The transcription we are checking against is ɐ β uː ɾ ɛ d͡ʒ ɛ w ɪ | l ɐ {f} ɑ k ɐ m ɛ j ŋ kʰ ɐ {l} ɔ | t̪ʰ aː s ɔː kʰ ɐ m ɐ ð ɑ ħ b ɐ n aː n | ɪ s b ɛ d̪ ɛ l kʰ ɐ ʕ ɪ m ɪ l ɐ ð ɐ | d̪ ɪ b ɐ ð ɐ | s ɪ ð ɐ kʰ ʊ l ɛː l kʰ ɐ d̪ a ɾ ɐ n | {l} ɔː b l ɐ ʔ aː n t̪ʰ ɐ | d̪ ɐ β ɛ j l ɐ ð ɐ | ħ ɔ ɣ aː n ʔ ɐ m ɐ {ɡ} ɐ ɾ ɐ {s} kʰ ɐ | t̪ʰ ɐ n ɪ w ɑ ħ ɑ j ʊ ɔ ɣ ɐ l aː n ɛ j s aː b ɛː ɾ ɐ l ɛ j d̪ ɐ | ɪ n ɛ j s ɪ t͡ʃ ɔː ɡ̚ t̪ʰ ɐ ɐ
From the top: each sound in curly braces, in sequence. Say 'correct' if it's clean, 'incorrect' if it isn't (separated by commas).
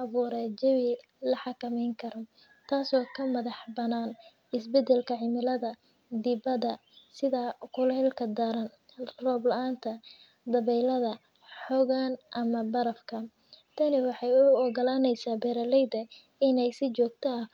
incorrect, incorrect, incorrect, incorrect, incorrect